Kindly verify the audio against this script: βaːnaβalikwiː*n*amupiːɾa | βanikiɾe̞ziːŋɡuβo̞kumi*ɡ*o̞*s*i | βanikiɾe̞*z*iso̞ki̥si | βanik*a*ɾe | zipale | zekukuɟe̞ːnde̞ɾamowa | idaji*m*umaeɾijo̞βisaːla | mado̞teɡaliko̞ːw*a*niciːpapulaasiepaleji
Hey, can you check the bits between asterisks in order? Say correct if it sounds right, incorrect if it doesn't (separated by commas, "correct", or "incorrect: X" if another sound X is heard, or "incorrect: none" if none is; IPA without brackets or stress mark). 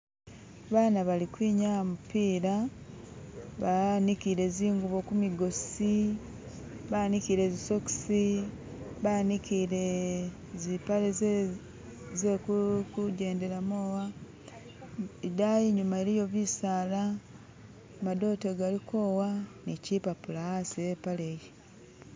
incorrect: ɲ, correct, correct, correct, incorrect: i, incorrect: ɲ, correct